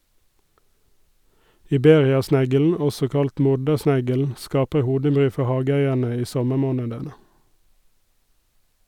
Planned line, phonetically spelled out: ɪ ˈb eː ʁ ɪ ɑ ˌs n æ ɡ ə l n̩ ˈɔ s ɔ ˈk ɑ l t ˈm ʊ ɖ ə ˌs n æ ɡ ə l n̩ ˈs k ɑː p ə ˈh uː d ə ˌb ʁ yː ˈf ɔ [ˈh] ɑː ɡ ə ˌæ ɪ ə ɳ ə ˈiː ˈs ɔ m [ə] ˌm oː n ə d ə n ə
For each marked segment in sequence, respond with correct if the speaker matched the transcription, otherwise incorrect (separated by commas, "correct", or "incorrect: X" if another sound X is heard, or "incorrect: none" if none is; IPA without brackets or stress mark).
correct, correct